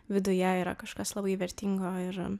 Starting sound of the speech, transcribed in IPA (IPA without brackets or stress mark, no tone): ʋʲ